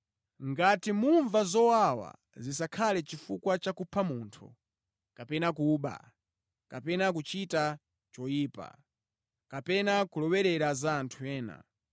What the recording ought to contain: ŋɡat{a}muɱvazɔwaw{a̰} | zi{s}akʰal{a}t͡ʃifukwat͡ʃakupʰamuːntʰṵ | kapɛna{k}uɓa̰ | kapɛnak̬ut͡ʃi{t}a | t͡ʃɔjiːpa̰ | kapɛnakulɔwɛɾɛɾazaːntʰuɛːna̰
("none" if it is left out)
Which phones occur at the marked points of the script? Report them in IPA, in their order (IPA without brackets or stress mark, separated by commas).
i, a̰, s, ɛ, k, t